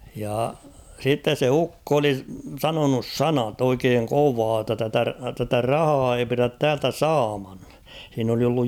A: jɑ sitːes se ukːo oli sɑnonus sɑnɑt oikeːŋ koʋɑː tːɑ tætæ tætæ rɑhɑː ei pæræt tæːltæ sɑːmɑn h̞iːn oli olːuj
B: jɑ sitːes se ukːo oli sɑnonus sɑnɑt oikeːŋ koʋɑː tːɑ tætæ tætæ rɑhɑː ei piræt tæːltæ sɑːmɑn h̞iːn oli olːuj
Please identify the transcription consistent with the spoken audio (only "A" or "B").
B